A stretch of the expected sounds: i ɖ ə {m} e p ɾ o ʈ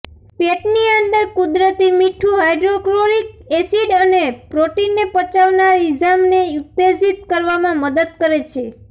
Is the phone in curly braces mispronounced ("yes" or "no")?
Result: yes